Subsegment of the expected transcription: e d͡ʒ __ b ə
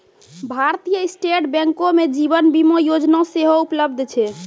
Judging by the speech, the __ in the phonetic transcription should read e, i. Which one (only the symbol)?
i